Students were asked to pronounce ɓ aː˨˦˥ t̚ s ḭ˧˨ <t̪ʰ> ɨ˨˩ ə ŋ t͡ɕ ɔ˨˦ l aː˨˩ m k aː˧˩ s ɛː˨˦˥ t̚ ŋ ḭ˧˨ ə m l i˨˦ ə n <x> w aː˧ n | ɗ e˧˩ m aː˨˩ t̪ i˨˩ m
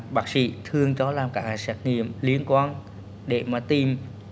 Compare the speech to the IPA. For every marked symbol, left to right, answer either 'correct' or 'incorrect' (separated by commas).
correct, incorrect